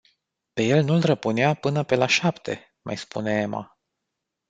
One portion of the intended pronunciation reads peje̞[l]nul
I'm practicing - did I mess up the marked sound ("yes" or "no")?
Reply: no